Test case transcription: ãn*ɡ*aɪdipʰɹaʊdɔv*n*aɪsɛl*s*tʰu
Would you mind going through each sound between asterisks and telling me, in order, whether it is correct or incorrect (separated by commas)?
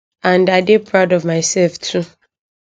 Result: incorrect, incorrect, incorrect